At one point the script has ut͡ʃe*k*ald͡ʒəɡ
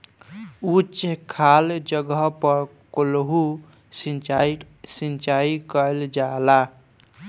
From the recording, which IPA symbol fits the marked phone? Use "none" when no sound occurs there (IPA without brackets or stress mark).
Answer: kʰ